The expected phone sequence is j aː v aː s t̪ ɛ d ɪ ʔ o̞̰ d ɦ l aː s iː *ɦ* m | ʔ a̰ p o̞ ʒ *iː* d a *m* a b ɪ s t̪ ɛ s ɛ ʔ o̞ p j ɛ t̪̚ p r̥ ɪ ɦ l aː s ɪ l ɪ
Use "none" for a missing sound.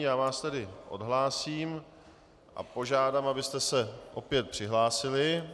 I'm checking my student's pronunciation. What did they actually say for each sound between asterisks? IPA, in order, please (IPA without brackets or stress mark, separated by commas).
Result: none, aː, m